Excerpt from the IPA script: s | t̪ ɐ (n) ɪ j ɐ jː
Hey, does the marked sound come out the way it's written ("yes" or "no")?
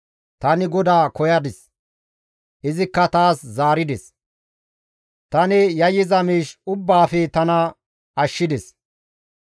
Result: yes